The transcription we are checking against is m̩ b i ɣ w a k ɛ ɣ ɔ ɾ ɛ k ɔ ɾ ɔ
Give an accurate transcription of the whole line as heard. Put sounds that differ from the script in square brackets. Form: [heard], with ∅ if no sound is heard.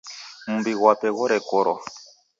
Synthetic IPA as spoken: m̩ b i ɣ w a [p] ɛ ɣ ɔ ɾ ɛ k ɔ ɾ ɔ